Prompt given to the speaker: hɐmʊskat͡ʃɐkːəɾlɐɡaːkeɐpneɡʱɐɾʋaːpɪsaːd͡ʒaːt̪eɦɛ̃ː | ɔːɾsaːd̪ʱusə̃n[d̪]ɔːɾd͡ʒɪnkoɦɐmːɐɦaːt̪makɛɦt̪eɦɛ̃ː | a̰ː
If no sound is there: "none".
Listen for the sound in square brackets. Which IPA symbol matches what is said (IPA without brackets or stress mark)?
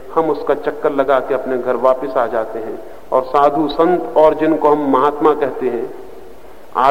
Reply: t̪